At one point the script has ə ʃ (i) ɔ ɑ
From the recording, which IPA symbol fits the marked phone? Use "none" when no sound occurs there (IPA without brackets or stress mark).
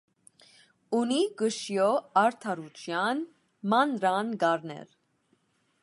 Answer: j